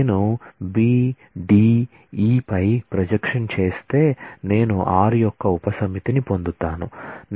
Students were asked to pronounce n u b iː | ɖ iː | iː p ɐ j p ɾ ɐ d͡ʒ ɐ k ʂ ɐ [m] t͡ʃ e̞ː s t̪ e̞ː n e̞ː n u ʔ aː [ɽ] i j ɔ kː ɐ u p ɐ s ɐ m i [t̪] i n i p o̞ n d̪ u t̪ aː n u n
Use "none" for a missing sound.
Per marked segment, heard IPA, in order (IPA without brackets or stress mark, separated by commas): n, ɾ, t̪